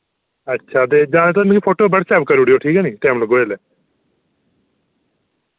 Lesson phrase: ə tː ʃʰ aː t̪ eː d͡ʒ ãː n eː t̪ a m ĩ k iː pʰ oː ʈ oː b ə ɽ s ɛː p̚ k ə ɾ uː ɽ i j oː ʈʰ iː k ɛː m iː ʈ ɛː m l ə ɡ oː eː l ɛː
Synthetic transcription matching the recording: ə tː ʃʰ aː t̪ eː d͡ʒ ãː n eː t̪ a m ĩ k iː pʰ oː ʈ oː b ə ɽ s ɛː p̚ k ə ɾ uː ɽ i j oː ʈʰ iː k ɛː n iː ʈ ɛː m l ə ɡ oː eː l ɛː